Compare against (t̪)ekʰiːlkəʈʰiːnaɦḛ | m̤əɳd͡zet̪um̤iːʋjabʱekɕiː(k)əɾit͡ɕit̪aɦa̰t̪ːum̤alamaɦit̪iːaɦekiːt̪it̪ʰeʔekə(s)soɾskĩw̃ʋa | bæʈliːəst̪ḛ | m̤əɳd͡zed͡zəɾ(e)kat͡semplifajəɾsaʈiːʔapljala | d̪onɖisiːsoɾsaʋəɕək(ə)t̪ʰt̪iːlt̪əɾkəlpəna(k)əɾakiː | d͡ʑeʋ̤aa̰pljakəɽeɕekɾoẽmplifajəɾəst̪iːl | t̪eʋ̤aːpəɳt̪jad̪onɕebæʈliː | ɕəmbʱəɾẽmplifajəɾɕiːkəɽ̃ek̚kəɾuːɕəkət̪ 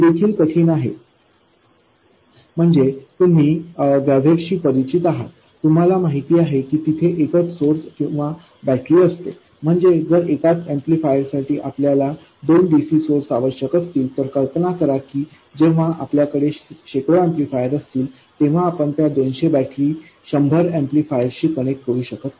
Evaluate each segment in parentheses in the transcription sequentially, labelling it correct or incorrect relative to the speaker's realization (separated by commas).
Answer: incorrect, incorrect, incorrect, correct, correct, correct